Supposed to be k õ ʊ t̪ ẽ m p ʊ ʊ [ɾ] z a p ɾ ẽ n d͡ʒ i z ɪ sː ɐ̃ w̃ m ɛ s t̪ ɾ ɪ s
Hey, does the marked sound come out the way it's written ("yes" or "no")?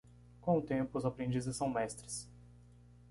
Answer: no